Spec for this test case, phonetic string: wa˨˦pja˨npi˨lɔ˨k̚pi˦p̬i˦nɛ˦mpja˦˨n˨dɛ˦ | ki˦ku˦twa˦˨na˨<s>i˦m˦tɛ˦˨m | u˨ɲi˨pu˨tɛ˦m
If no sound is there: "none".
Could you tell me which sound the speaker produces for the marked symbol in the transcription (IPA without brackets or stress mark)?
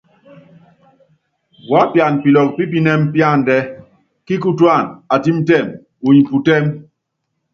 t